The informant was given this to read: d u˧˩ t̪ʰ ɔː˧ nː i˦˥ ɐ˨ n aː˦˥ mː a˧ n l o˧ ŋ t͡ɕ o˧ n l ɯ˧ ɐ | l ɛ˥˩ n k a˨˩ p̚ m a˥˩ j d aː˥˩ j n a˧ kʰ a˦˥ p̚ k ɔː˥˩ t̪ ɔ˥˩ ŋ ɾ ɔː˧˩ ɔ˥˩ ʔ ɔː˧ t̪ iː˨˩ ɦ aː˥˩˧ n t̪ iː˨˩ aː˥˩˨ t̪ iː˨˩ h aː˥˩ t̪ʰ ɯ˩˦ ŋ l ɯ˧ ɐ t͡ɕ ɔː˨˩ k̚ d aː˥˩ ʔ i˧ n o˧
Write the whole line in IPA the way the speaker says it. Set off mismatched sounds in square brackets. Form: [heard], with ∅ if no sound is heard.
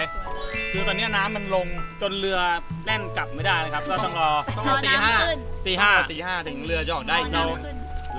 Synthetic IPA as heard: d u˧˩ [t̪] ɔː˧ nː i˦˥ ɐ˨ n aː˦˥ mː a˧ n l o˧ ŋ t͡ɕ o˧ n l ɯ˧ ɐ | l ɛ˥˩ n k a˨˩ p̚ m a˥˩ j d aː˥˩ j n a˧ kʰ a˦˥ p̚ k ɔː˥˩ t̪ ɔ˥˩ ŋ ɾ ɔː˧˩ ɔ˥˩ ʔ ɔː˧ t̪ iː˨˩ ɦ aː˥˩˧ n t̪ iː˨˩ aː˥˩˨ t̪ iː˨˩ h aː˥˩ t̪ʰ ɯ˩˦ ŋ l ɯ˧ ɐ t͡ɕ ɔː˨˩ k̚ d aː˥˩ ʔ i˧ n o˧